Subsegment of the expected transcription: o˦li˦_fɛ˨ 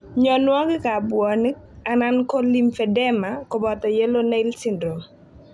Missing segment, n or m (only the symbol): m